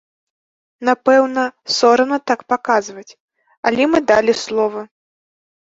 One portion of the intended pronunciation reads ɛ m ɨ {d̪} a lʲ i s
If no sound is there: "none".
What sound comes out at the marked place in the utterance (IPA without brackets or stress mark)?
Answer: d̪